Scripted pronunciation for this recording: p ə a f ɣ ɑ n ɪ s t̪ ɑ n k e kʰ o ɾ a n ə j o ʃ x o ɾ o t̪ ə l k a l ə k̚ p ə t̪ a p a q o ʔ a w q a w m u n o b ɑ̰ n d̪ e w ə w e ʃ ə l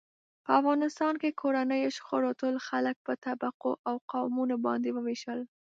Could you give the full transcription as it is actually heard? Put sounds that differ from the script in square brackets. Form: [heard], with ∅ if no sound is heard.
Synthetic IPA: p ə a f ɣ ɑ n ɪ s t̪ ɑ n k e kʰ o ɾ a n ə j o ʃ x o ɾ o t̪ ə l [x] a l ə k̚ p ə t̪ a [b] a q o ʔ a w q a w m u n o b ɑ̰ n d̪ e w ə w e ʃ ə l